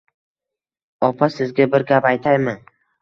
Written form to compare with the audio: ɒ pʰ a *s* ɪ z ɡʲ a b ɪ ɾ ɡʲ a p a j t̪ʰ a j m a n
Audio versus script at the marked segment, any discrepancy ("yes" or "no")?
no